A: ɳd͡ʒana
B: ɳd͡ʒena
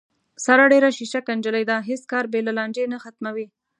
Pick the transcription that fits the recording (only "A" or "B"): B